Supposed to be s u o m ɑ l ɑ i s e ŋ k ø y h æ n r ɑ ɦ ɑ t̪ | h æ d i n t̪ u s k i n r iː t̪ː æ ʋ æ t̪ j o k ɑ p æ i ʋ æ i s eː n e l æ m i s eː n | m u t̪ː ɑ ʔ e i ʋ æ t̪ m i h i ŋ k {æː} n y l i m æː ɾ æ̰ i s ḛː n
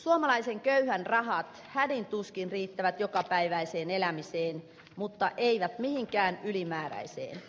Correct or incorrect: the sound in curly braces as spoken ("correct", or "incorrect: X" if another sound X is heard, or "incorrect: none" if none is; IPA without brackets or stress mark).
correct